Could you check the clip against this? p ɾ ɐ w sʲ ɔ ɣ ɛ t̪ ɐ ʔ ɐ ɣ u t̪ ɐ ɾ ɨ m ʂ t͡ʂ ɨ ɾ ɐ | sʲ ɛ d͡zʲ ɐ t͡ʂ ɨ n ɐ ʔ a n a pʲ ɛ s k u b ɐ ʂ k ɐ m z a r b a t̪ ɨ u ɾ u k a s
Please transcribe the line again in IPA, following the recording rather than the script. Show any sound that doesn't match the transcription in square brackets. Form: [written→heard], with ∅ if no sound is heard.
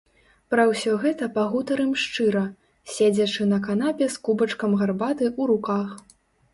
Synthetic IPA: p ɾ ɐ w sʲ ɔ ɣ ɛ t̪ ɐ [ʔ→p] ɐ ɣ u t̪ ɐ ɾ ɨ m ʂ t͡ʂ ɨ ɾ ɐ | sʲ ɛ d͡zʲ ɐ t͡ʂ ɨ n ɐ [ʔ→k] a n a pʲ ɛ s k u b ɐ [ʂ→t͡ʂ] k ɐ m [z→ɣ] a r b a t̪ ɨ u ɾ u k a [s→x]

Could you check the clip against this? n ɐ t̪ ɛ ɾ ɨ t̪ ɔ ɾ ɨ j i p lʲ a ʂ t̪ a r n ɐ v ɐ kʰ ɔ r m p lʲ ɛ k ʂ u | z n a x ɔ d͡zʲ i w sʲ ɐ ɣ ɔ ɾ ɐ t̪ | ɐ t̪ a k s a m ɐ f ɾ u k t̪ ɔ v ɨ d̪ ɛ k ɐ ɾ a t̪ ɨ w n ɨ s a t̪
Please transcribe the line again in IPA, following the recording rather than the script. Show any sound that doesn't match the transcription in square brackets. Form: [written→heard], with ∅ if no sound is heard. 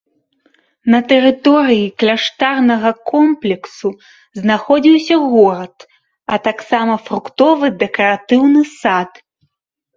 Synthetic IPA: n ɐ t̪ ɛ ɾ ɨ t̪ ɔ ɾ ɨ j i [p→k] lʲ a ʂ t̪ a r n ɐ [v→ɣ] ɐ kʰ ɔ [r→∅] m p lʲ ɛ k [ʂ→s] u | z n a x ɔ d͡zʲ i w sʲ ɐ ɣ ɔ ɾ ɐ t̪ | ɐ t̪ a k s a m ɐ f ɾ u k t̪ ɔ v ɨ d̪ ɛ k ɐ ɾ a t̪ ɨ w n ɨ s a t̪

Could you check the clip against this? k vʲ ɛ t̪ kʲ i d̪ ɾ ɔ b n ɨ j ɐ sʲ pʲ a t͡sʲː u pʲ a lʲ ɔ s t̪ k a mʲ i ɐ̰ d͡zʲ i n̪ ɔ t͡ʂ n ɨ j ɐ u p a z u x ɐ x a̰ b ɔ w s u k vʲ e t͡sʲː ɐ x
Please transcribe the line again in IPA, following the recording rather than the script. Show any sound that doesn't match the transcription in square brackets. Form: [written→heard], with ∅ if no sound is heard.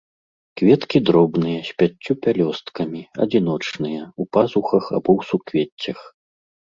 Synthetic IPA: k vʲ ɛ t̪ kʲ i d̪ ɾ ɔ b n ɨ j ɐ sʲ pʲ a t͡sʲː u pʲ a lʲ ɔ s t̪ k [a→ɐ] mʲ i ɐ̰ d͡zʲ i n̪ ɔ t͡ʂ n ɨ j ɐ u p a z u x ɐ x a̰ b ɔ w s u k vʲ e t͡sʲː ɐ x

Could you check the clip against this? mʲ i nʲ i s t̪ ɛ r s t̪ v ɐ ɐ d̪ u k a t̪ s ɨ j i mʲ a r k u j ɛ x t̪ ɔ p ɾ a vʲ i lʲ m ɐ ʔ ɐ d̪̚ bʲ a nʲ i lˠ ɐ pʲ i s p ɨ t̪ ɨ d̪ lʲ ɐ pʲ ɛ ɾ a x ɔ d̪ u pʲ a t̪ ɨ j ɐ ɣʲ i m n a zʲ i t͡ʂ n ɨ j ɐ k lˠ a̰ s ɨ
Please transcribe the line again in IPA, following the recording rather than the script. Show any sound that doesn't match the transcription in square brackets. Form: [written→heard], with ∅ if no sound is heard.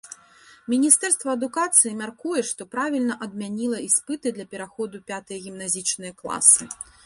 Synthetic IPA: mʲ i nʲ i s t̪ ɛ r s t̪ v ɐ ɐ d̪ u k a t̪ s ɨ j i mʲ a r k u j ɛ [x→ʂ] t̪ ɔ p ɾ a vʲ i lʲ [m→n] ɐ ʔ ɐ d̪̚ [bʲ→mʲ] a nʲ i lˠ ɐ [pʲ→∅] i s p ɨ t̪ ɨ d̪ lʲ ɐ pʲ ɛ ɾ a x ɔ d̪ u pʲ a t̪ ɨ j ɐ ɣʲ i m n a zʲ i t͡ʂ n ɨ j ɐ k lˠ a̰ s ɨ

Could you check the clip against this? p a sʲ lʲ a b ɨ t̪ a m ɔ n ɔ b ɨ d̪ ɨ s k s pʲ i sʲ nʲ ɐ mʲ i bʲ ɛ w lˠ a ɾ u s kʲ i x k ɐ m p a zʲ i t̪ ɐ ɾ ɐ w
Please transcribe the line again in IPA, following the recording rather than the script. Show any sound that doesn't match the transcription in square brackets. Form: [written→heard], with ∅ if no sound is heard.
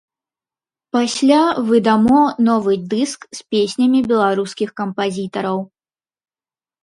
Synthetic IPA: p a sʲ lʲ a [b→v] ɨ [t̪→d̪] a m ɔ n ɔ [b→v] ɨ d̪ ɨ s k s pʲ [i→e] sʲ nʲ ɐ mʲ i bʲ ɛ [w→∅] lˠ a ɾ u s kʲ i x k ɐ m p a zʲ i t̪ ɐ ɾ ɐ w

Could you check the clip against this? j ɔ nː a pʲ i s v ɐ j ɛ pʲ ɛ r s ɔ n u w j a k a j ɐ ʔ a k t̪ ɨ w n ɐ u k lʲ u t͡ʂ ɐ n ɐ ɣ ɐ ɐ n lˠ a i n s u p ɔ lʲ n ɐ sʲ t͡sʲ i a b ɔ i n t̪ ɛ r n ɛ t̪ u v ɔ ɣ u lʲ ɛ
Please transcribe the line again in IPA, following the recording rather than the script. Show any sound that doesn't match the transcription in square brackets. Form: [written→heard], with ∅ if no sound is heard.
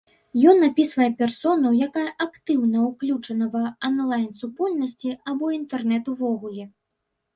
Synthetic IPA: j ɔ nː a pʲ i s v ɐ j ɛ pʲ ɛ r s ɔ n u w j a k a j ɐ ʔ a k t̪ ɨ w n ɐ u k lʲ u t͡ʂ ɐ n ɐ [ɣ→v] ɐ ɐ n lˠ a [i→j] n s u p ɔ lʲ n ɐ sʲ t͡sʲ i a b ɔ i n t̪ ɛ r n ɛ t̪ u v ɔ ɣ u lʲ ɛ

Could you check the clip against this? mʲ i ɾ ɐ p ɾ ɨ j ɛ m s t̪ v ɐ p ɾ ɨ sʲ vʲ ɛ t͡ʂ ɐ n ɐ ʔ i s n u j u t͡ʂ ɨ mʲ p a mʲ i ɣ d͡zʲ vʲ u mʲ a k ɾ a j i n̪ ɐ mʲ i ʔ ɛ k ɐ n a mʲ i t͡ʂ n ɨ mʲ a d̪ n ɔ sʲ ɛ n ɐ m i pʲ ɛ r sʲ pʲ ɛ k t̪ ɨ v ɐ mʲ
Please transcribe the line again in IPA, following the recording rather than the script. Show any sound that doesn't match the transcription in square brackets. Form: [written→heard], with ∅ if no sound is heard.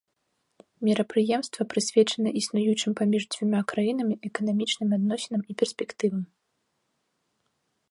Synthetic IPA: mʲ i ɾ ɐ p ɾ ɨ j ɛ m s t̪ v ɐ p ɾ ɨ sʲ vʲ ɛ t͡ʂ ɐ n ɐ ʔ i s n u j u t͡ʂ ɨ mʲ p a mʲ i [ɣ→ʐ] d͡zʲ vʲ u mʲ a k ɾ a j i n̪ ɐ mʲ i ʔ ɛ k ɐ n a mʲ i t͡ʂ n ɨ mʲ a d̪ n ɔ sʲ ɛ n ɐ m i pʲ ɛ r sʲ pʲ ɛ k t̪ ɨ v ɐ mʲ

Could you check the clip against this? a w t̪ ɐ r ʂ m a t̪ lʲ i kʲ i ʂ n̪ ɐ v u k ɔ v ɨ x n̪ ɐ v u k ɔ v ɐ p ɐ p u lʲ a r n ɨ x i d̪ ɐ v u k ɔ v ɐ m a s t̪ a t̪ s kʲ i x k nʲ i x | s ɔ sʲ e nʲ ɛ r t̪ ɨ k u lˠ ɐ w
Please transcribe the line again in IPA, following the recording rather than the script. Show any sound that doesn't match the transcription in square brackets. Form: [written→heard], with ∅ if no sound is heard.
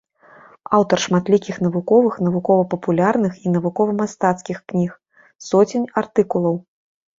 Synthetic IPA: a w t̪ ɐ r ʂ m a t̪ lʲ i kʲ i [ʂ→x] n̪ ɐ v u k ɔ v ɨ x n̪ ɐ v u k ɔ v ɐ p ɐ p u lʲ a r n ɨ x i [d̪→n̪] ɐ v u k ɔ v ɐ m a s t̪ a t̪ s kʲ i x k nʲ i x | s ɔ [sʲ→t͡sʲ] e nʲ [ɛ→a] r t̪ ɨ k u lˠ ɐ w

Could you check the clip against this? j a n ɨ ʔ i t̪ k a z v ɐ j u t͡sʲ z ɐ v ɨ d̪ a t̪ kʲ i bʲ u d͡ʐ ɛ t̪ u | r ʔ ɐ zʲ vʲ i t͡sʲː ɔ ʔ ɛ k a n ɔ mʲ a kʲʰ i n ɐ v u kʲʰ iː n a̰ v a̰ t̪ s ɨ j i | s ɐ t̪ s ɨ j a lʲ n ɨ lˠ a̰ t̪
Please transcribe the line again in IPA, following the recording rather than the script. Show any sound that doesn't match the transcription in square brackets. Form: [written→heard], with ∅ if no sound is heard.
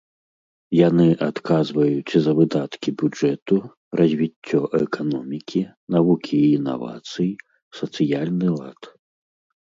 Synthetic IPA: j a n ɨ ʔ [i→a] t̪ k a z v ɐ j u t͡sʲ z ɐ v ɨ d̪ a t̪ kʲ i bʲ u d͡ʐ ɛ t̪ u | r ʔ ɐ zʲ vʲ i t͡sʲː ɔ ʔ ɛ k a n ɔ mʲ [a→i] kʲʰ i n [ɐ→a] v u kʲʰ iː n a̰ v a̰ t̪ s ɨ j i | s ɐ t̪ s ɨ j a lʲ n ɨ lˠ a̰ t̪

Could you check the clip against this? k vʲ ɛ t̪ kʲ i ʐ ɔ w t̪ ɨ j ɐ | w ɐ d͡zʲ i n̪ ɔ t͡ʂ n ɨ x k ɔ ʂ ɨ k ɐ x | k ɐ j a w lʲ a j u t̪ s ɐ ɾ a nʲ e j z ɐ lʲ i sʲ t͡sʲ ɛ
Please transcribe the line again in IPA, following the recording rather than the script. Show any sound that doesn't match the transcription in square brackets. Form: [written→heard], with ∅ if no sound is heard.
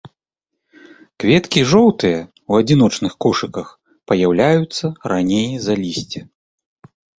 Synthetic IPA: k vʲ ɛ t̪ kʲ i ʐ ɔ w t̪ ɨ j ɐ | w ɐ d͡zʲ i n̪ ɔ t͡ʂ n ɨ x k ɔ ʂ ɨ k ɐ x | [k→p] ɐ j a w lʲ a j u t̪ [s→sː] ɐ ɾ a nʲ e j z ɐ lʲ i sʲ t͡sʲ ɛ

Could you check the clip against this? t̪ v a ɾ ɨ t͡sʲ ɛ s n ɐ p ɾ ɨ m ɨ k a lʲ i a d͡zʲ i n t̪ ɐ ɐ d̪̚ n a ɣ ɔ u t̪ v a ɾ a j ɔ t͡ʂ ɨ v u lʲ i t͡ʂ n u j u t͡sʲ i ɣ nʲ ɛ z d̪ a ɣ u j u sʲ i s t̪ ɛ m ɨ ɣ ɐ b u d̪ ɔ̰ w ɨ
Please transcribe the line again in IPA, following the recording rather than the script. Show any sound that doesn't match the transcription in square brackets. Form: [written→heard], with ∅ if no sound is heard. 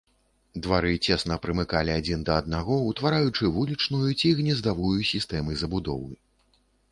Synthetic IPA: [t̪→d̪] v a ɾ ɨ t͡sʲ ɛ s n ɐ p ɾ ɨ m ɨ k a lʲ i a d͡zʲ i n [t̪→d̪] ɐ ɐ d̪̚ n a ɣ ɔ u t̪ v a ɾ a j [ɔ→u] t͡ʂ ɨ v u lʲ i t͡ʂ n u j u t͡sʲ i ɣ nʲ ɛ z d̪ a [ɣ→v] u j u sʲ i s t̪ ɛ m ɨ [ɣ→z] ɐ b u d̪ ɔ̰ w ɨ

